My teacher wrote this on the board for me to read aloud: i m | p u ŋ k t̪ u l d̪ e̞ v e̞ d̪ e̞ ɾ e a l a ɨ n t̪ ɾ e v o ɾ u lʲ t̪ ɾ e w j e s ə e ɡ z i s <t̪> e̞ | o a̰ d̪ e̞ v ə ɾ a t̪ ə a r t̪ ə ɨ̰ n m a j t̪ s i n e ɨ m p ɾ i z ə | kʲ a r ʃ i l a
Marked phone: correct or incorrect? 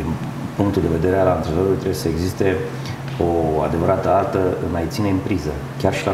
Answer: correct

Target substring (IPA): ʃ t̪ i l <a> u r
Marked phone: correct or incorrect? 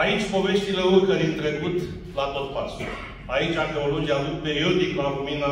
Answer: incorrect: e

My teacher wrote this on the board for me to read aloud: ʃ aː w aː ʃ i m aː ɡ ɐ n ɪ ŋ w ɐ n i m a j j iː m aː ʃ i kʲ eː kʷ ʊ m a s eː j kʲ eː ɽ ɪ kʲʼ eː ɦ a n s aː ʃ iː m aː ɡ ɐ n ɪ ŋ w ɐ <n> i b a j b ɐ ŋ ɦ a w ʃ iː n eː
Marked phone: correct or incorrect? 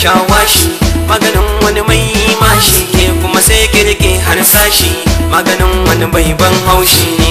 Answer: correct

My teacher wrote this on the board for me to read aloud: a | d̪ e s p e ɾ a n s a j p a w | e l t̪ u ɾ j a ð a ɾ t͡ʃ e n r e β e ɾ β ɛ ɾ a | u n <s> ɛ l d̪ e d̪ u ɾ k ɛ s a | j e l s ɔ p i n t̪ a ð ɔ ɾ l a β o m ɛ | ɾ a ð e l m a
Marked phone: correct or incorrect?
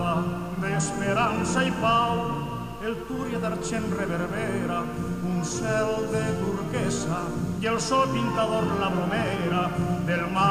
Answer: correct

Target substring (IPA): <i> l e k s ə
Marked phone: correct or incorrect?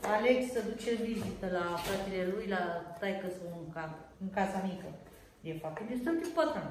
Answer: incorrect: a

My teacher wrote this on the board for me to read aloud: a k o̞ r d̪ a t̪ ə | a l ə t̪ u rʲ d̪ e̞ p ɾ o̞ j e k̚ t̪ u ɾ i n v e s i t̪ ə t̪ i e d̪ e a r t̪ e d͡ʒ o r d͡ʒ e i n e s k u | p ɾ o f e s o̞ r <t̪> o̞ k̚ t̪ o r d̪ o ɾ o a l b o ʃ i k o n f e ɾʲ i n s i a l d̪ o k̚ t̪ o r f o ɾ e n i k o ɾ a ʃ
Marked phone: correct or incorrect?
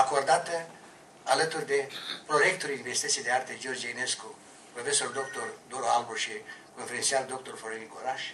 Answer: incorrect: d̪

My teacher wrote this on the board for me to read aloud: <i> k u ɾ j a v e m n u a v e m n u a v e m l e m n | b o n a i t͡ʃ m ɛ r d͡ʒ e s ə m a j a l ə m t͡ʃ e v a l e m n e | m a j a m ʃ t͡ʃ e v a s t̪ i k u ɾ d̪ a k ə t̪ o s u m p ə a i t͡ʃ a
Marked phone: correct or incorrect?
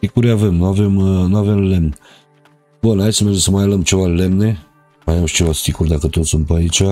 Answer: correct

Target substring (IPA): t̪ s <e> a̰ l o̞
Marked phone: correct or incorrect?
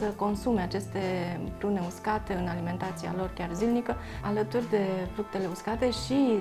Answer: incorrect: i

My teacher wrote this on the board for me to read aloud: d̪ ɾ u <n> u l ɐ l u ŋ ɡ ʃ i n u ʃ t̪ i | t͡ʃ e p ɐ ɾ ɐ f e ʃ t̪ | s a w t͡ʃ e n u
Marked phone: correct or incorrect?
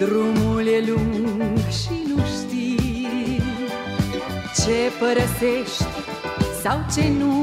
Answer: incorrect: m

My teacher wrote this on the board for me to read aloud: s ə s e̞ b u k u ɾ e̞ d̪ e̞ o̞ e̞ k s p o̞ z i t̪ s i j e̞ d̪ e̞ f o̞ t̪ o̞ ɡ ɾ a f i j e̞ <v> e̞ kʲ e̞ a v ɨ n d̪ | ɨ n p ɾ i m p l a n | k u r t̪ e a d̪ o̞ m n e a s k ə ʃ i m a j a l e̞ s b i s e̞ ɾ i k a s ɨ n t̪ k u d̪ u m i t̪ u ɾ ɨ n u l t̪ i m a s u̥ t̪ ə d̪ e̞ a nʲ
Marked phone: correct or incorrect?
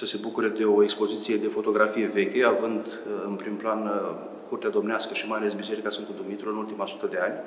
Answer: correct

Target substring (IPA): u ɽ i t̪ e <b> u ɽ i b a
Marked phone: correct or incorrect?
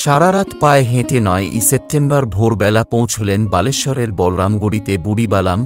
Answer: correct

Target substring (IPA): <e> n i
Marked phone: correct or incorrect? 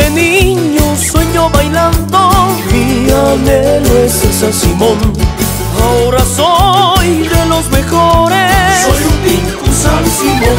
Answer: correct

